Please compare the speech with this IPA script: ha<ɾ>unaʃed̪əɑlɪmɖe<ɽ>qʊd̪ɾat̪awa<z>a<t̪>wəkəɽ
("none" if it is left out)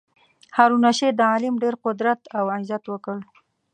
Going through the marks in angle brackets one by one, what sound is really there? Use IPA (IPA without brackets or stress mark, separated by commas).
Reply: ɾ, ɾ, z, t̪